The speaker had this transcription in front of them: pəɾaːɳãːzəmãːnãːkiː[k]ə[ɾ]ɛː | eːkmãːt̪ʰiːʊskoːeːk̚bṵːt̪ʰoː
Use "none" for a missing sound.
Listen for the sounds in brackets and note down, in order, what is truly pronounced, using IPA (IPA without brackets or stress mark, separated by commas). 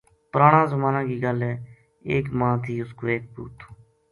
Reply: ɡ, l